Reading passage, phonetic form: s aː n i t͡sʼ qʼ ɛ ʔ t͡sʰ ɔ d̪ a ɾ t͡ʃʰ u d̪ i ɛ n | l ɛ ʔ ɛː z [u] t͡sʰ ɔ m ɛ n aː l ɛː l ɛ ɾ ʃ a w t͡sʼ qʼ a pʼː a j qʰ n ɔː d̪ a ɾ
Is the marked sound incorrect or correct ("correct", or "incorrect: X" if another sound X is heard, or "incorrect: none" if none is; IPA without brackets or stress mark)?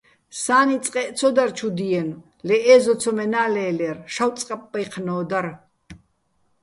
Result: incorrect: ɔ